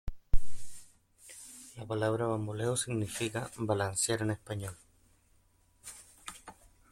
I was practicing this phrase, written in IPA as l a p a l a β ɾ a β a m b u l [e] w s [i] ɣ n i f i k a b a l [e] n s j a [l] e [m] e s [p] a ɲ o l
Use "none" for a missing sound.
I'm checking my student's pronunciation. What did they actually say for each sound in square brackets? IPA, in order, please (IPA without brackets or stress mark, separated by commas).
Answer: e, i, a, ɾ, n, p